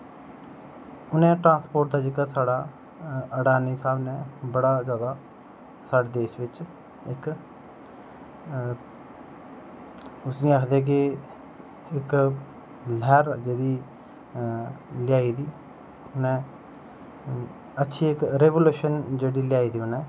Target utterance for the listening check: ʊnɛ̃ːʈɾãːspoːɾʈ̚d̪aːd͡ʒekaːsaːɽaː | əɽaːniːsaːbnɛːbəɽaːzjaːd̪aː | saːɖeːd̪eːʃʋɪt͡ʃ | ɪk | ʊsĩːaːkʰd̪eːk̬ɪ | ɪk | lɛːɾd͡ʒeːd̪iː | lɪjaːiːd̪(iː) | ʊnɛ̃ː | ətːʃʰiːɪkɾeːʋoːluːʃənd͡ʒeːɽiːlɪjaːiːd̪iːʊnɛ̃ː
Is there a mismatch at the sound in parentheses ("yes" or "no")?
no